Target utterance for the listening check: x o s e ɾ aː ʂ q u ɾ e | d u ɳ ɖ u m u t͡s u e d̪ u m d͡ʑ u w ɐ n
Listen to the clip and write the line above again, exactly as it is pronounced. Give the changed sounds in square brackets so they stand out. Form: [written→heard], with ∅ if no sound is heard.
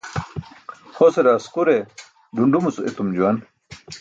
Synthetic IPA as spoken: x o s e ɾ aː [ʂ→s] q u ɾ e | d u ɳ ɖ u m u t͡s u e [d̪→t̪] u m d͡ʑ u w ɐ n